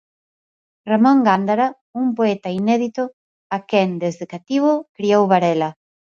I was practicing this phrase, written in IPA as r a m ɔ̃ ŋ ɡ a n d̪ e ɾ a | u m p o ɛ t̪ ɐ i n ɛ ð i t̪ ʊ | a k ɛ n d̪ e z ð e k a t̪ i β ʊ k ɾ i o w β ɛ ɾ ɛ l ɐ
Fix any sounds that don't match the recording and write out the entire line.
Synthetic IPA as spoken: r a m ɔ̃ ŋ ɡ a n d̪ a ɾ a | u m p o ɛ t̪ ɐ i n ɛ ð i t̪ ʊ | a k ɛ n d̪ e z ð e k a t̪ i β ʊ k ɾ i o w β a ɾ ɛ l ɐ